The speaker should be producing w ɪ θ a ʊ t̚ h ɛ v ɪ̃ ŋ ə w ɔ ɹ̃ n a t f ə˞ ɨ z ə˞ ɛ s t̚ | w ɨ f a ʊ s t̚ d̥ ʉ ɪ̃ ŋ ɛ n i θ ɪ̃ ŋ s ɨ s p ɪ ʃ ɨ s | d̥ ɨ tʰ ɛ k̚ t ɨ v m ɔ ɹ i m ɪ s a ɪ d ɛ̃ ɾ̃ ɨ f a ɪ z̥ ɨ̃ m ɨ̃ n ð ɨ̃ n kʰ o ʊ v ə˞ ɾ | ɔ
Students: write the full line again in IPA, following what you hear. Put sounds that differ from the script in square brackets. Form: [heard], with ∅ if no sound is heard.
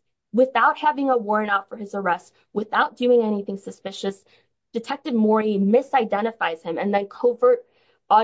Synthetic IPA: w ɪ θ a ʊ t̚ h [æ] v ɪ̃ ŋ ə w ɔ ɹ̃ n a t f ə˞ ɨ z ə˞ ɛ s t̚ | w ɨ [θ] a ʊ [∅] t̚ d̥ ʉ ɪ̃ ŋ ɛ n i θ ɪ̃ ŋ s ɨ s p ɪ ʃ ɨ s | d̥ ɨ tʰ ɛ k̚ t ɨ v m ɔ ɹ i m ɪ s a ɪ d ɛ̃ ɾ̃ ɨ f a ɪ z̥ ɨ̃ m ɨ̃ n ð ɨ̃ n kʰ o ʊ v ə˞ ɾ | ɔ